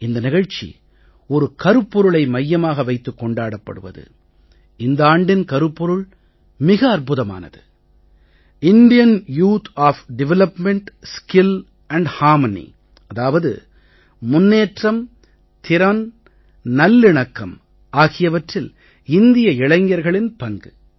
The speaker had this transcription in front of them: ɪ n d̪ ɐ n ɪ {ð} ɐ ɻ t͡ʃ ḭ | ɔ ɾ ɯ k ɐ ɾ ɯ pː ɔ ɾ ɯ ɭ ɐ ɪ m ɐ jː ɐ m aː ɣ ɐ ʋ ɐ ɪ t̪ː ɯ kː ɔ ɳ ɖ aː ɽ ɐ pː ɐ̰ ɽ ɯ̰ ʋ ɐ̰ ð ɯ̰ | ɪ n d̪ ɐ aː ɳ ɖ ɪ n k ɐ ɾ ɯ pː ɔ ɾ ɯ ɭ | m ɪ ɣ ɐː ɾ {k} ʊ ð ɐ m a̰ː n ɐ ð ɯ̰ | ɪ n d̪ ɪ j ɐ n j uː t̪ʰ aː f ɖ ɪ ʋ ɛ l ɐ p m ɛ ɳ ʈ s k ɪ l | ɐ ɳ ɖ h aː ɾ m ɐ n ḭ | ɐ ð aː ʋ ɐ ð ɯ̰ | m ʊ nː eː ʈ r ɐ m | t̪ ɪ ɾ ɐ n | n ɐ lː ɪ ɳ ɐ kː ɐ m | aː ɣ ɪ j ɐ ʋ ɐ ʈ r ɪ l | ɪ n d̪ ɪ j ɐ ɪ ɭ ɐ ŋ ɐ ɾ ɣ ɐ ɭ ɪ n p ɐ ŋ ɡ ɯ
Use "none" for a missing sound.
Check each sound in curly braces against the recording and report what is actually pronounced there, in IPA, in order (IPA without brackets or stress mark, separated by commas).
ɣ, p